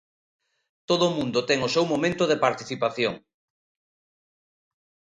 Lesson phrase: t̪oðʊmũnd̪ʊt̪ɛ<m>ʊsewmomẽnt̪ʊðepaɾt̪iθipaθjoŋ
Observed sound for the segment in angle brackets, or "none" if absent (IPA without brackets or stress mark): ŋ